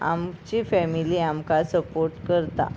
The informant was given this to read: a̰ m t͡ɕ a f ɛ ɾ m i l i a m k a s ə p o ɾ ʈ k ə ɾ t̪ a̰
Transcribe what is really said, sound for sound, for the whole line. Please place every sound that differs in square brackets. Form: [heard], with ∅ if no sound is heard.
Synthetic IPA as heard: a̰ m t͡ɕ [i] f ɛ [∅] m i l i a m k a s ə p o ɾ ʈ k ə ɾ t̪ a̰